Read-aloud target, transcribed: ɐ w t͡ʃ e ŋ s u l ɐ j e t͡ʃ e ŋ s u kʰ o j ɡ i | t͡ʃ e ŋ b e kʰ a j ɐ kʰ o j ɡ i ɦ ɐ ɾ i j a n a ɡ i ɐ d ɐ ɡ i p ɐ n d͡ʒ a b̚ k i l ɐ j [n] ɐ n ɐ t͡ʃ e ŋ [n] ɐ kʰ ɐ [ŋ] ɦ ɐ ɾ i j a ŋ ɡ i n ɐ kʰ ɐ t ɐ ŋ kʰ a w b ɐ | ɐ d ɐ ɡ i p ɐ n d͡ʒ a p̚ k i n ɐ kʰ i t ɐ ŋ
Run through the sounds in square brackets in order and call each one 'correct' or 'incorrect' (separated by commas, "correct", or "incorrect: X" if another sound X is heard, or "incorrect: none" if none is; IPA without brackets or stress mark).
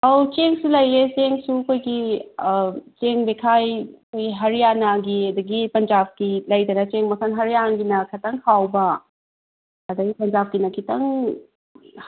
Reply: incorrect: d, incorrect: m, incorrect: n